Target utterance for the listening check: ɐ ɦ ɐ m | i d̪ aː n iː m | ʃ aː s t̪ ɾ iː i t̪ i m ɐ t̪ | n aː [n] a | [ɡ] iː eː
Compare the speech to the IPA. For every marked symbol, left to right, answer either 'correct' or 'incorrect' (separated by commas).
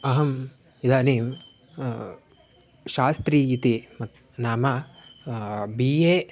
incorrect, incorrect